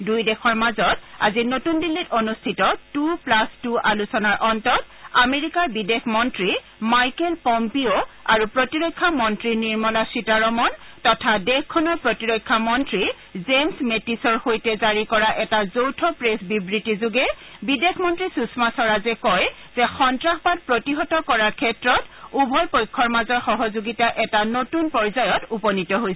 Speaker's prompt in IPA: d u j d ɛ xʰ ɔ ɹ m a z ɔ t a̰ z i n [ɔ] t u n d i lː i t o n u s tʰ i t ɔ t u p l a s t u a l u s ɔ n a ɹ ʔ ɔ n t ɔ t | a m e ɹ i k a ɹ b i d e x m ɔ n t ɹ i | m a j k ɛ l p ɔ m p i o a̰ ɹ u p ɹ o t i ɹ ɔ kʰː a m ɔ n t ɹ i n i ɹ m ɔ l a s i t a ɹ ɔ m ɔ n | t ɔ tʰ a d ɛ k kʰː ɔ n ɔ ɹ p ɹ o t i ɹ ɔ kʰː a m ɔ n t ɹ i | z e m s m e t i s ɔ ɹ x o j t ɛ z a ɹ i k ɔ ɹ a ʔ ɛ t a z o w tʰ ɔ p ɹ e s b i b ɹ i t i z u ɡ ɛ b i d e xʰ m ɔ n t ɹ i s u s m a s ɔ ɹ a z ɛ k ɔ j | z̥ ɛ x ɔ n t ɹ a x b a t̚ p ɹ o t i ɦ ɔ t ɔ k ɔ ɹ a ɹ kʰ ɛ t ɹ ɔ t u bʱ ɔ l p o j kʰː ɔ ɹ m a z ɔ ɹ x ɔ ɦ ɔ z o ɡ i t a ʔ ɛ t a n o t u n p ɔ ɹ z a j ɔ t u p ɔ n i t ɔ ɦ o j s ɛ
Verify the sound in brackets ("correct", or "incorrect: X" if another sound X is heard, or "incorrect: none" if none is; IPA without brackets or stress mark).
incorrect: o